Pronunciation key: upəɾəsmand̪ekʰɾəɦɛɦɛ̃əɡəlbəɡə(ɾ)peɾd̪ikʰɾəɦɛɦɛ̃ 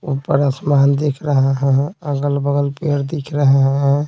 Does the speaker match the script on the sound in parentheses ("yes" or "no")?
no